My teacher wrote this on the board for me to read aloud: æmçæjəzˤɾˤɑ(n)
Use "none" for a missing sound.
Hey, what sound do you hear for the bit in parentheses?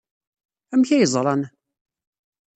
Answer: n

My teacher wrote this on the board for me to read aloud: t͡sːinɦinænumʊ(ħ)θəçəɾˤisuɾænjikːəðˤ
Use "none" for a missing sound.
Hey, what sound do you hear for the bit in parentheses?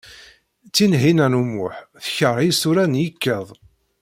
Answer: ħ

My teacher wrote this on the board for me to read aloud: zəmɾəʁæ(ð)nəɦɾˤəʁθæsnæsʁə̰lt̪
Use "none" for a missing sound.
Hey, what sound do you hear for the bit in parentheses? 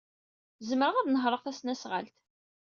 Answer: ð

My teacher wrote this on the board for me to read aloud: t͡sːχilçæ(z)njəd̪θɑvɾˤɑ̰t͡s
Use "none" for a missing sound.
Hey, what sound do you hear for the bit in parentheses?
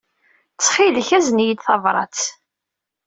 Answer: z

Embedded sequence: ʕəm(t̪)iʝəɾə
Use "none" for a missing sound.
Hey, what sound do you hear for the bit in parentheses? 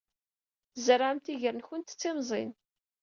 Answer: t̪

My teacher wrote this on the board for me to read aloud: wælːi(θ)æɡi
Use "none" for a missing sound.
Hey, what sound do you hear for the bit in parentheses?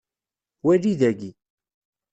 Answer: ð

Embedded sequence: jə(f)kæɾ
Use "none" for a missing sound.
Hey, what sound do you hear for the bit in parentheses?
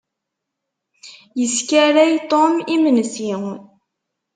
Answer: s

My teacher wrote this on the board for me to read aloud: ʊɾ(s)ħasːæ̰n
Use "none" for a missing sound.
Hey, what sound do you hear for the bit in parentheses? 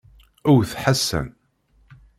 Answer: θ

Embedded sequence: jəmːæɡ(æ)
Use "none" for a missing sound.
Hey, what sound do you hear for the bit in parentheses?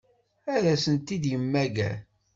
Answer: æ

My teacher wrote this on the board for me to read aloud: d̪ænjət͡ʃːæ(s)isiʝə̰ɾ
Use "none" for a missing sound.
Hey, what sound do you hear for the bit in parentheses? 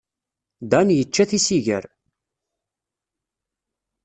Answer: θ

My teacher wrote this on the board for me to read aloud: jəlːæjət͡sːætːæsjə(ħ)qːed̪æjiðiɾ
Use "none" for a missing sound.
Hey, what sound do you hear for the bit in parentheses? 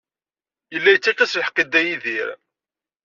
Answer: ħ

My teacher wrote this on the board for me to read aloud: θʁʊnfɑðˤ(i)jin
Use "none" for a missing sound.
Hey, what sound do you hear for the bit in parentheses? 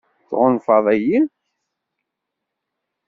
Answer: æ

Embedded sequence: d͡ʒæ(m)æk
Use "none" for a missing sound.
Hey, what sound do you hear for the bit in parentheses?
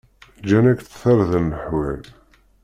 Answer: n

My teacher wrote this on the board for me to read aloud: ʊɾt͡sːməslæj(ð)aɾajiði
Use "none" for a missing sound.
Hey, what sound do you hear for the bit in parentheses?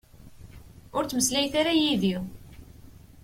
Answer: θ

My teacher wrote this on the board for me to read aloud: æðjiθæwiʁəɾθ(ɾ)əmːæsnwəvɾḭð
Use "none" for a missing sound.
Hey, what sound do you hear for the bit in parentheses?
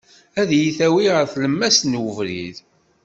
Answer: l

